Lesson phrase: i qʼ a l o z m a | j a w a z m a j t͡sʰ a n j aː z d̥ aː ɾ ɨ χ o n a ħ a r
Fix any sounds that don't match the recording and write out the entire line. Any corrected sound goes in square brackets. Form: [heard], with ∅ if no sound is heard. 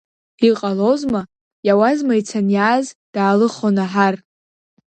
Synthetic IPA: i qʼ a l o z m a | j a w a z m a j t͡sʰ a n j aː z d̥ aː [l] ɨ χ o n a ħ a r

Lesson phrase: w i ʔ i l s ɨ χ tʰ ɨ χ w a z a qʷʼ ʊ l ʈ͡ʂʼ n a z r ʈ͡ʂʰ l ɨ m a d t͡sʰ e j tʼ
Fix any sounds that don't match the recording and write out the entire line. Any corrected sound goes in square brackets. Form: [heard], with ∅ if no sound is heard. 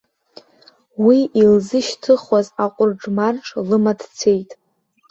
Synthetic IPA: w i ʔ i l [z] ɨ [ʃ] tʰ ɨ χ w a z a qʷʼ ʊ [r] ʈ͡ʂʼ [m] a [∅] r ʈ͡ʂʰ l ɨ m a d t͡sʰ e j tʼ

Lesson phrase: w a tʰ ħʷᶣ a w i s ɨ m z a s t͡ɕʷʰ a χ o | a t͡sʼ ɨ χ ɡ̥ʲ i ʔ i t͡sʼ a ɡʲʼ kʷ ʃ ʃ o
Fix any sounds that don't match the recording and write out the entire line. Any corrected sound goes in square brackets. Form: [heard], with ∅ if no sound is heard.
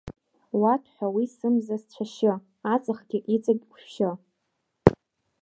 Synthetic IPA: w a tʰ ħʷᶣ a w i s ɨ m z a s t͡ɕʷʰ a [ʃ] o | a t͡sʼ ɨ χ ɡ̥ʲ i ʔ i t͡sʼ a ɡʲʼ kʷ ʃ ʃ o

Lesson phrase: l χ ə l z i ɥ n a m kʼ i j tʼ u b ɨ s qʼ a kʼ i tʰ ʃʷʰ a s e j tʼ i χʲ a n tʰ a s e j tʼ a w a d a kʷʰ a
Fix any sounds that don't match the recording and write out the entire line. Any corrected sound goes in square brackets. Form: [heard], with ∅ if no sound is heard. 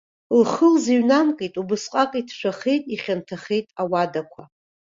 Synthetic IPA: l χ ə l z i ɥ n a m kʼ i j tʼ u b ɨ s qʼ a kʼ i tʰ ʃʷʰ a [χ] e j tʼ i χʲ a n tʰ a [χ] e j tʼ a w a d a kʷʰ a

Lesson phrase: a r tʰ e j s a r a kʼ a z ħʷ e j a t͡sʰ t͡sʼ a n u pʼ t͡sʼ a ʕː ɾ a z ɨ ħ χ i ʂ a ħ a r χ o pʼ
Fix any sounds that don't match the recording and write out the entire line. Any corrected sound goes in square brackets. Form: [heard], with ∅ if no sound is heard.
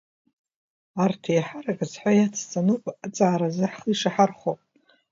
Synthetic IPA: a r tʰ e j [ħ] a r a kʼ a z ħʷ [a] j a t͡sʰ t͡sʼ a n u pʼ t͡sʼ a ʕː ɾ a z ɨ ħ χ i ʂ a ħ a r χ o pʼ

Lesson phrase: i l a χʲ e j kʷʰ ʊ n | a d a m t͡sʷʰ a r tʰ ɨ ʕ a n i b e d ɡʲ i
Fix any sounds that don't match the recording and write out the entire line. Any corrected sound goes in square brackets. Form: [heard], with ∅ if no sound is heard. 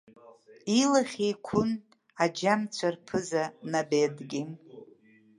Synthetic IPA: i l a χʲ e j kʷʰ ʊ n | a [d͡ʒ] a m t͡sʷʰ a r [pʰ] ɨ [z] a n [a] b e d ɡʲ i

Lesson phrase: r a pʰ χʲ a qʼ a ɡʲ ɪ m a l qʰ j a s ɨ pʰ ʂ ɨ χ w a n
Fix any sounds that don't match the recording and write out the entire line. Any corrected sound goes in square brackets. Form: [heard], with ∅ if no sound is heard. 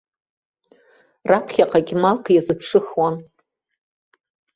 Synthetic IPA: r a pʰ χʲ a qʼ a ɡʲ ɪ m a l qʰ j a [z] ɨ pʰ ʂ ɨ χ w a n

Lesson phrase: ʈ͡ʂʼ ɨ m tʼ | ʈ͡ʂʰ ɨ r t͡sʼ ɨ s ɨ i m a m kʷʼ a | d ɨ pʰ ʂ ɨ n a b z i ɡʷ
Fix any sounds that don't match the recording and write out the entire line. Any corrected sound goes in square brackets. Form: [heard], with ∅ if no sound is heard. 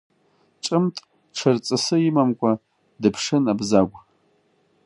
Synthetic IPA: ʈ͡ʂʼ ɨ m tʼ | ʈ͡ʂʰ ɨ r t͡sʼ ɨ s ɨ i m a m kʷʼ a | d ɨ pʰ ʂ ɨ n a b z [a] ɡʷ

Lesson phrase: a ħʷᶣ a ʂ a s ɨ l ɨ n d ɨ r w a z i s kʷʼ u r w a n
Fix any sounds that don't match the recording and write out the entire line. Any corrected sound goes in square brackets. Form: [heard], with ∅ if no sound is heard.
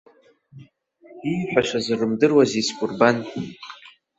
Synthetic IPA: [i] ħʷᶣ a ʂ a [z] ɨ [r] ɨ [m] d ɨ r w a z i s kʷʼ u r [b] a n

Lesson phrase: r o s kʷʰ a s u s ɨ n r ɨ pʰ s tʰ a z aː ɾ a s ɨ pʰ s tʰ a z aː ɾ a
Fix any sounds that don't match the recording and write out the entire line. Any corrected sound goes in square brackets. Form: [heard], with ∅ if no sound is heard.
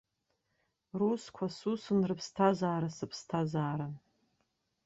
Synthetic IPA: r [u] s kʷʰ a s u s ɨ n r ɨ pʰ s tʰ a z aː ɾ a s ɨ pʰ s tʰ a z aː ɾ a

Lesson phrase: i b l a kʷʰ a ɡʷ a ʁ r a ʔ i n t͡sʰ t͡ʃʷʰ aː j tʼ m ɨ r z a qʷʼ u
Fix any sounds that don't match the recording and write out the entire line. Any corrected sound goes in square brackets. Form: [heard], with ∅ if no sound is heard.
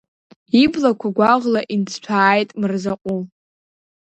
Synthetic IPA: i b l a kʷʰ a ɡʷ a ʁ [l] a ʔ i n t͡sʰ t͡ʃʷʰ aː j tʼ m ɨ r z a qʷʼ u

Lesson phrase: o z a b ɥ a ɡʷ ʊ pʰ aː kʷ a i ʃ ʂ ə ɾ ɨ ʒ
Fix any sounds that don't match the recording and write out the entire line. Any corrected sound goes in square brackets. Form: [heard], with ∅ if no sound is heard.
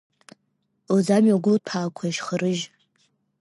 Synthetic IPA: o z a [m] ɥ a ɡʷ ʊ pʰ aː [kʷʰ] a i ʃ [χ] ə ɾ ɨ ʒ

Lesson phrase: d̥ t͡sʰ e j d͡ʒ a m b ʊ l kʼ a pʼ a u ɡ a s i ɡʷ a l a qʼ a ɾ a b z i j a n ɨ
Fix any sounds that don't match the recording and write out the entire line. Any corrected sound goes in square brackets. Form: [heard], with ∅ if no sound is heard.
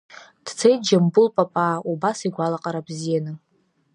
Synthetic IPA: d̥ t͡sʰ e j d͡ʒ a m b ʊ l [pʼ] a pʼ a u [b] a s i ɡʷ a l a qʼ a ɾ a b z i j a n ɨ

